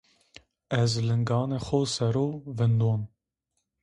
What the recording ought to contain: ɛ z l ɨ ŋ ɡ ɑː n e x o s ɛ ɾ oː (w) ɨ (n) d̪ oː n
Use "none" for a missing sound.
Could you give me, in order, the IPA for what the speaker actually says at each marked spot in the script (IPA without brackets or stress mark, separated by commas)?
v, n